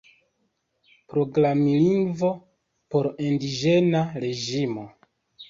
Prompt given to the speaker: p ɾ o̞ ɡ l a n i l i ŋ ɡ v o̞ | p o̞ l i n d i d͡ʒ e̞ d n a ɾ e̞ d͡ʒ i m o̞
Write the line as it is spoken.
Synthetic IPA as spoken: p ɾ o̞ ɡ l a m i l i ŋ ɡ v o̞ | p o̞ ɾ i n d i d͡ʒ e̞ n a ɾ e̞ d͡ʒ i m o̞